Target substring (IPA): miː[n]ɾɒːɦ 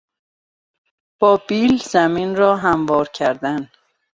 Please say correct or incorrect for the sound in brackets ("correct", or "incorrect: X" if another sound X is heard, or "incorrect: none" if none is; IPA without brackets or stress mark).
correct